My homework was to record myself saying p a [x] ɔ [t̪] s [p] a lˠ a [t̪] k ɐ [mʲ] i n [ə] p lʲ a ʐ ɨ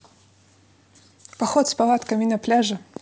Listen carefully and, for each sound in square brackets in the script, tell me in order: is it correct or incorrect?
correct, correct, correct, correct, correct, incorrect: ɐ

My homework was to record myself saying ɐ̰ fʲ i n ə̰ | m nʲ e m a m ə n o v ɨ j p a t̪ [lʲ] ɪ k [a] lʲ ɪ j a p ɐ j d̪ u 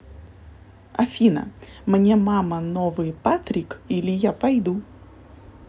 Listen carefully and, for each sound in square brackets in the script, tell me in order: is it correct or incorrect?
incorrect: ɾʲ, incorrect: i

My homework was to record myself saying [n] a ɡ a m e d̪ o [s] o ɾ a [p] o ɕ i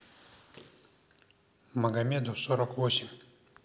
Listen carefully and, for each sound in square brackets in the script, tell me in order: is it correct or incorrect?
incorrect: m, correct, incorrect: k

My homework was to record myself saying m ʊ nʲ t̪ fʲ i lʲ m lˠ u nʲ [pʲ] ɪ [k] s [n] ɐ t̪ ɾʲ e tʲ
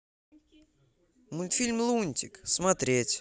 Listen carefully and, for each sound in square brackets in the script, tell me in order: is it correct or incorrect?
incorrect: tʲ, correct, incorrect: m

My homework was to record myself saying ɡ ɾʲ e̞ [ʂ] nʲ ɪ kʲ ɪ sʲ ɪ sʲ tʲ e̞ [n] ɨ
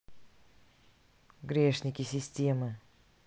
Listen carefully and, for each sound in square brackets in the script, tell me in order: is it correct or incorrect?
correct, incorrect: m

